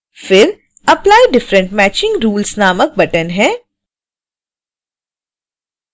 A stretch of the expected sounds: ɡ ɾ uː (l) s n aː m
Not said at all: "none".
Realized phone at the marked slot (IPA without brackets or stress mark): l